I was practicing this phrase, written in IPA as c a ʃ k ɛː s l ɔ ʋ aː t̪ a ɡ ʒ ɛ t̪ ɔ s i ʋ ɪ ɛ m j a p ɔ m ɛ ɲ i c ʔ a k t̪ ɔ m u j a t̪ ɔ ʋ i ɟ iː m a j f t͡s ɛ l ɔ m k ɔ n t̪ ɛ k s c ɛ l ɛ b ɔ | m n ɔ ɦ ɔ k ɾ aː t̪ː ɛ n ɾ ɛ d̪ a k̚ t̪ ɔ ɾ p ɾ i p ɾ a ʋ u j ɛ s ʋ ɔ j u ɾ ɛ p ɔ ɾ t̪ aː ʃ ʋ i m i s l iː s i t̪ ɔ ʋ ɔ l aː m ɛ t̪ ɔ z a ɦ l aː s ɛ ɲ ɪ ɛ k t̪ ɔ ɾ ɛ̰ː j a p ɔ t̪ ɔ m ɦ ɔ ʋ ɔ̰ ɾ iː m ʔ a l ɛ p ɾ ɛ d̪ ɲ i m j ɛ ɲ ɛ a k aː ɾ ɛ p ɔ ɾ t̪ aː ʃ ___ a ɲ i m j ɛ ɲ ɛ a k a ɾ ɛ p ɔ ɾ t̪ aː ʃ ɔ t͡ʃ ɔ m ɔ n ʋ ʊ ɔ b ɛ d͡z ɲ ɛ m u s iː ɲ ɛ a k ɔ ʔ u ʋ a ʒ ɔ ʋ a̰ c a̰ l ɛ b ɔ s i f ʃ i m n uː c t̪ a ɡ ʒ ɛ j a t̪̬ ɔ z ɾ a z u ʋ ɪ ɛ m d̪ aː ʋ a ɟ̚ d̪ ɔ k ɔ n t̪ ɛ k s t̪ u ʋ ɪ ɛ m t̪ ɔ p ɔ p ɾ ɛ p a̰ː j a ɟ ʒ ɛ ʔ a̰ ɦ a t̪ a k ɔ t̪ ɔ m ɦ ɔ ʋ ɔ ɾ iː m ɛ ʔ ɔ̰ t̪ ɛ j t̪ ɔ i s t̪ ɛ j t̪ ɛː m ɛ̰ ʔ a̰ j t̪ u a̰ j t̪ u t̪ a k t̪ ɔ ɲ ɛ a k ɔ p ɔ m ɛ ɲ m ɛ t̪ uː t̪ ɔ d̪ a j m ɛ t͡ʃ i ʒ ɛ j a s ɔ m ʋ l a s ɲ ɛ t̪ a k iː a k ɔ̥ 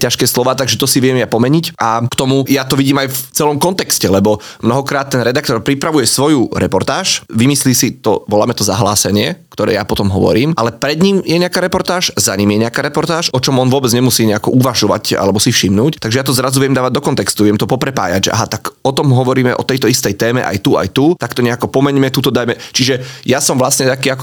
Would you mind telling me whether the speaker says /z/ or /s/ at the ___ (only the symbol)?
z